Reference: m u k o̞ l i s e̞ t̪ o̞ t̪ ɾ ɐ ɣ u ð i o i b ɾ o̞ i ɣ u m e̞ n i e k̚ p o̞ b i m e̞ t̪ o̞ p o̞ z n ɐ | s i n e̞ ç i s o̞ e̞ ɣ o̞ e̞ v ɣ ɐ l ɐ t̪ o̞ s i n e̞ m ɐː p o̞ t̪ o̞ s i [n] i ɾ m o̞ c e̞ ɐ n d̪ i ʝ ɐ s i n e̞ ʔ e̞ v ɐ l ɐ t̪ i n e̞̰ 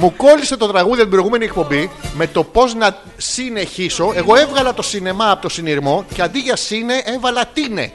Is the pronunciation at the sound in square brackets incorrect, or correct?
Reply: correct